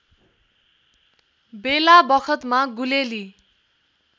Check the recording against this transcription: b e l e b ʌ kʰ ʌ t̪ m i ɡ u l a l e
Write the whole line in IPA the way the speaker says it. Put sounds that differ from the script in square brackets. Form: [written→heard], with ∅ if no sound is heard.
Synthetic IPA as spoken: b e l [e→a] b ʌ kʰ ʌ t̪ m [i→a] ɡ u l [a→e] l [e→i]